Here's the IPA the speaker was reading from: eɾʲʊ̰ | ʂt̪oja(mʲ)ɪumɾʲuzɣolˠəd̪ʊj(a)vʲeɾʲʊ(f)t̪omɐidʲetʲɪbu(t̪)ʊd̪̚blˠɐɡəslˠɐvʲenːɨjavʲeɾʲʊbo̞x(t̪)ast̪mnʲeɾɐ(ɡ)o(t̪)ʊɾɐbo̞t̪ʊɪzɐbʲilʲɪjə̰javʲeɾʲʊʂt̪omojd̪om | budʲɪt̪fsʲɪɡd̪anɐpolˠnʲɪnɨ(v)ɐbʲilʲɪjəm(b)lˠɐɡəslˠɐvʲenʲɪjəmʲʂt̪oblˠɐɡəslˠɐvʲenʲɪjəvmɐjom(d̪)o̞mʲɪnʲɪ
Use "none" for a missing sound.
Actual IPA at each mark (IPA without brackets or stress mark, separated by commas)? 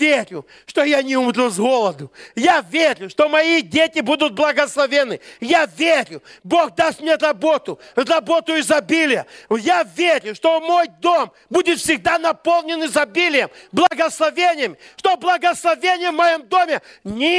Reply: nʲ, a, ʂ, d̪, d̪, b, t̪, z, b, d̪